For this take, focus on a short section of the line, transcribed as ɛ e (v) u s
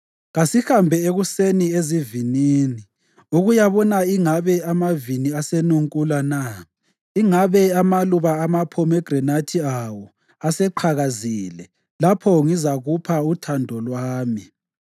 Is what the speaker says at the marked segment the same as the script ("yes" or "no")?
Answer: no